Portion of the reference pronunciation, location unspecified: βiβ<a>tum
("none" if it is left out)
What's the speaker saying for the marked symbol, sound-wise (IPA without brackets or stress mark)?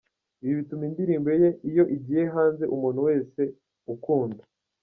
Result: i